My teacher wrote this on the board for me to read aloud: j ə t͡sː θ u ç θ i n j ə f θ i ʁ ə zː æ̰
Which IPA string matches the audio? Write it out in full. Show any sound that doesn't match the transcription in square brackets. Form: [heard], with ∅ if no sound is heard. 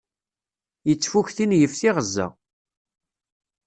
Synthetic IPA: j ə t͡sː [f] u ç θ i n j ə f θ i ʁ ə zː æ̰